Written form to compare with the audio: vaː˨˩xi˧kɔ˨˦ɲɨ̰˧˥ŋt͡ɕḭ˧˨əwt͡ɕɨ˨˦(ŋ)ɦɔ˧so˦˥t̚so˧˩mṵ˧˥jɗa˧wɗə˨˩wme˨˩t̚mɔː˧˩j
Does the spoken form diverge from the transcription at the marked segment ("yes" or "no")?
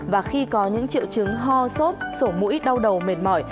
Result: no